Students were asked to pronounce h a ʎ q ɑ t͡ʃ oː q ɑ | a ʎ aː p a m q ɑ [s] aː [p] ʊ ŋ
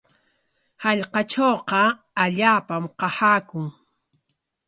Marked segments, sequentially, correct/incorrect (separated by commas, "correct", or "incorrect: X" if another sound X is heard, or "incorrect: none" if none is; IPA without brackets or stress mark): incorrect: h, incorrect: k